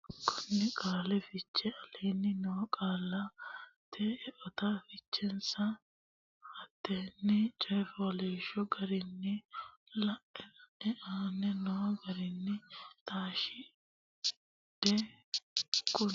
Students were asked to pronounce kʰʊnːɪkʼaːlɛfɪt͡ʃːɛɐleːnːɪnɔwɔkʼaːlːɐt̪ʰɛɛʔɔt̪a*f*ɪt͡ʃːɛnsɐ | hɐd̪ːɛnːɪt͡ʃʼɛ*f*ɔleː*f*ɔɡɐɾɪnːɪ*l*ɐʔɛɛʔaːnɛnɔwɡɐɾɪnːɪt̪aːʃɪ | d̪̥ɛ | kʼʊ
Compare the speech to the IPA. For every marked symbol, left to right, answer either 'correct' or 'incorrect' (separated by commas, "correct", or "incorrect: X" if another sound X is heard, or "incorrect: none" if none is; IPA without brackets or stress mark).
correct, correct, incorrect: ʃ, correct